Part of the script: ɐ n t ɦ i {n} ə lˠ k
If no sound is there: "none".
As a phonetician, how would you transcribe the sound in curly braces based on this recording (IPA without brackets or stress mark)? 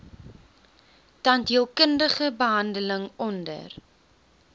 none